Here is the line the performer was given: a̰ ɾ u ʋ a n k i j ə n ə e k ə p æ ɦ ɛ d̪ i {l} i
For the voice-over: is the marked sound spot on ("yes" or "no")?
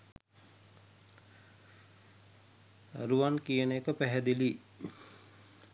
yes